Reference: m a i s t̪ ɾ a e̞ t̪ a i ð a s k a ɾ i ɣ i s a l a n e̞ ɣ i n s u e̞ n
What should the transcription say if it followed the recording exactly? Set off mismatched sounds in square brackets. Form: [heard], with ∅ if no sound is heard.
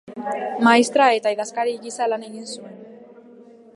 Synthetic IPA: m a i s t̪ ɾ a e̞ t̪ a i ð a s k a ɾ i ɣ i s a l a n e̞ ɣ i n s u e̞ n

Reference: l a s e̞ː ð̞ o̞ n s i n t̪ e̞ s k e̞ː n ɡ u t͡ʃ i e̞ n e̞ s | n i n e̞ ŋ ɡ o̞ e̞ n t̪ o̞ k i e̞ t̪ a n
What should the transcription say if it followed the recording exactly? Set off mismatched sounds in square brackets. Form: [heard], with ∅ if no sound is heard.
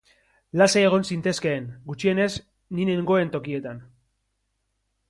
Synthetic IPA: l a s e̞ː [ɣ̞] o̞ n s i n t̪ e̞ s k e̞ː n ɡ u t͡ʃ i e̞ n e̞ s | n i n e̞ ŋ ɡ o̞ e̞ n t̪ o̞ k i e̞ t̪ a n

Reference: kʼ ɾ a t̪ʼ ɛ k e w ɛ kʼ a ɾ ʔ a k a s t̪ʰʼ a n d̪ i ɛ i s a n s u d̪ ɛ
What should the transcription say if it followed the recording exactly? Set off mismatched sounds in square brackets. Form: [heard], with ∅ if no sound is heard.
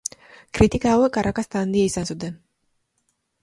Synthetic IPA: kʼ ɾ [i] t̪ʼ [i] k [a] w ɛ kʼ a ɾ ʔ a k a s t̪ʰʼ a n d̪ i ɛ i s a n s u d̪ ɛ

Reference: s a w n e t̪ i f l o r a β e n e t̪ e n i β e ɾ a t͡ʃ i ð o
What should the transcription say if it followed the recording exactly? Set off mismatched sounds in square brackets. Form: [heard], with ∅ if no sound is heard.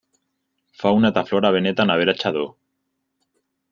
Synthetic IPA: [f] a w n [a] t̪ [a] f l o [ɾ] a β e n e t̪ [a] n [a] β e ɾ a t͡ʃ [a] ð o

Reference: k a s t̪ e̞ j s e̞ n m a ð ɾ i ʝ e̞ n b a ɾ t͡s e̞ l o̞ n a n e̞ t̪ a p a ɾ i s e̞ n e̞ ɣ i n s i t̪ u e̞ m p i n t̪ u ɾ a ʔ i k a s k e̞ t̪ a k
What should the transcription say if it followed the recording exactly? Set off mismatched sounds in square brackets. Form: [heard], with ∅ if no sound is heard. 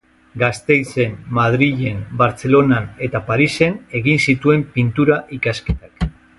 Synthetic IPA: [ɡ] a s t̪ e̞ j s e̞ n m a ð ɾ i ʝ e̞ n b a ɾ t͡s e̞ l o̞ n a n e̞ t̪ a p a ɾ i s e̞ n e̞ ɣ i n s i t̪ u e̞ m p i n t̪ u ɾ a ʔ i k a s k e̞ t̪ a k

